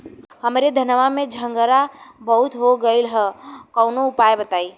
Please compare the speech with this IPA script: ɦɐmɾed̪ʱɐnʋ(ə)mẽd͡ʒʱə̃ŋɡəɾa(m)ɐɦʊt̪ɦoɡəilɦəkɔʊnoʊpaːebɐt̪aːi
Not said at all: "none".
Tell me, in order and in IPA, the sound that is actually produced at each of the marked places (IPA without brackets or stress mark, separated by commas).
a, b